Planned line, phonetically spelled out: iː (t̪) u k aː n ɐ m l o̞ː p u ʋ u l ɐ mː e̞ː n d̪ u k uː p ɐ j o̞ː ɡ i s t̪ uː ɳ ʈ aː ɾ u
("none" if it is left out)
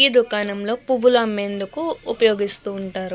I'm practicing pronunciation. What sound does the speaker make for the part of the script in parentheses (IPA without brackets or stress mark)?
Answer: d̪